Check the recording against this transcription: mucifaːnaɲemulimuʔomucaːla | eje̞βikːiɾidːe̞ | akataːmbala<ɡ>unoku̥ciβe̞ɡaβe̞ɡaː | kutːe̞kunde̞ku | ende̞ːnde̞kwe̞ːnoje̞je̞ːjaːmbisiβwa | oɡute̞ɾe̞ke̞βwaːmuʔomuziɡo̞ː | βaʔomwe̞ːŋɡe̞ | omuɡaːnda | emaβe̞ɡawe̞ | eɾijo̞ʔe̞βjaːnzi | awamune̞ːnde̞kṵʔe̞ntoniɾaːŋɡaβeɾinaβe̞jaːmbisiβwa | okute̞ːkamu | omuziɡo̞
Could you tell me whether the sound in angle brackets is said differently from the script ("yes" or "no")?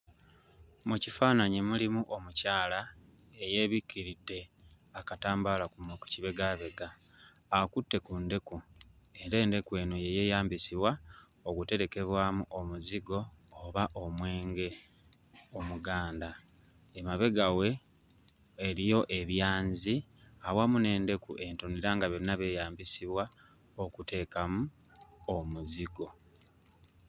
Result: yes